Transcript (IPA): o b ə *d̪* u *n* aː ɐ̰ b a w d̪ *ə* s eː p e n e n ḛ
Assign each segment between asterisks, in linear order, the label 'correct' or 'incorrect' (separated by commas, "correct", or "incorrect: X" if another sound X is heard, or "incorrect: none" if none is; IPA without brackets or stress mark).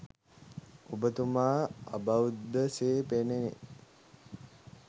incorrect: t̪, incorrect: m, correct